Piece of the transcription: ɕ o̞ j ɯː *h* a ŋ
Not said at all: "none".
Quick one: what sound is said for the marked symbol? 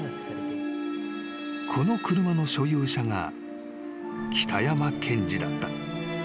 ɕ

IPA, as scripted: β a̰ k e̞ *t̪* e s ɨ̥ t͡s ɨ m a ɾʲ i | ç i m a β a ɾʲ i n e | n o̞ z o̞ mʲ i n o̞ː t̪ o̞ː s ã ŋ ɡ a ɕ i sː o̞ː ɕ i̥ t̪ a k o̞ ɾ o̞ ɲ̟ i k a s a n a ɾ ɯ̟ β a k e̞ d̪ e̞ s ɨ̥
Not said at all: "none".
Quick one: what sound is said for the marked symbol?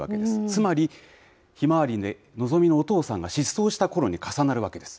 d̪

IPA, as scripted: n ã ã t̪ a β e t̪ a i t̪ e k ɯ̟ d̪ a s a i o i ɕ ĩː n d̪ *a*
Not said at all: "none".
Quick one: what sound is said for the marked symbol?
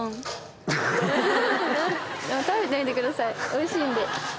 e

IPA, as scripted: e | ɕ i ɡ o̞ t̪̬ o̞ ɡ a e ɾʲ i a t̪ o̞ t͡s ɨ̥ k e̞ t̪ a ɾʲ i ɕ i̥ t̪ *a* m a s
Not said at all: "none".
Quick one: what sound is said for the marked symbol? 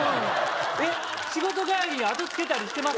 e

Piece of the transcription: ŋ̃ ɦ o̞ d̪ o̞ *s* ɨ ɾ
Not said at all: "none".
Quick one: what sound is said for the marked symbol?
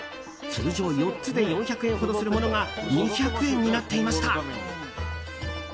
s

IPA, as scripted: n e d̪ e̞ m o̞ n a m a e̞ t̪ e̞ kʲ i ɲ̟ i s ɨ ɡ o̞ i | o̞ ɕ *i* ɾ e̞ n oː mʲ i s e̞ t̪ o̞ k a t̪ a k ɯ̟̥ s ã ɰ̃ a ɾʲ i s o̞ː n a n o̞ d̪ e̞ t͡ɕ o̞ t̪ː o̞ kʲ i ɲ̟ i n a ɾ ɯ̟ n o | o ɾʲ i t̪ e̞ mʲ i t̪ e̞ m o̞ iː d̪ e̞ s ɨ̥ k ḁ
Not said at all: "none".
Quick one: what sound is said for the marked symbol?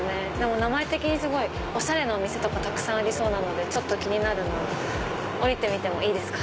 a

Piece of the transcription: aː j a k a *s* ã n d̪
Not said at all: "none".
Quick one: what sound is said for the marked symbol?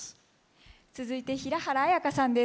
s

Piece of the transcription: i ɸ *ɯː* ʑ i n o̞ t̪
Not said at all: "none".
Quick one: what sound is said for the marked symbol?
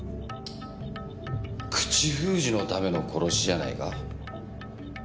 ɯː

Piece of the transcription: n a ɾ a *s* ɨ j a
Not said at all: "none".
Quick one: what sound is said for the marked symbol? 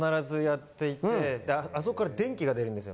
z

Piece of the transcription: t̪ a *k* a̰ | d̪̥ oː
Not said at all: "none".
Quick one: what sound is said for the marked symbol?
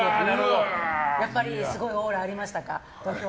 k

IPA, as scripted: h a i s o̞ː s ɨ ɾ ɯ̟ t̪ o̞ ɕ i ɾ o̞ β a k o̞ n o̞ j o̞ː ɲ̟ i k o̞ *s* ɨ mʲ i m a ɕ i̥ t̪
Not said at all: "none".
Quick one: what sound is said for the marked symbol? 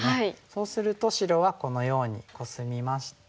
s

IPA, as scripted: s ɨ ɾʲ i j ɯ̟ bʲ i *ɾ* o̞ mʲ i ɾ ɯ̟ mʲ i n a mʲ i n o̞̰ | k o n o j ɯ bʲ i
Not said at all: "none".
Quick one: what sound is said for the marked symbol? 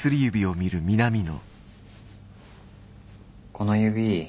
none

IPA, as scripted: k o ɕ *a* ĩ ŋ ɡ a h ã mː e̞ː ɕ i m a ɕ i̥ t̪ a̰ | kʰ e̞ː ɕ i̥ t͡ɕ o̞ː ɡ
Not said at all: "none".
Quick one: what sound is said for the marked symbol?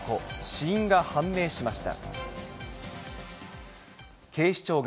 i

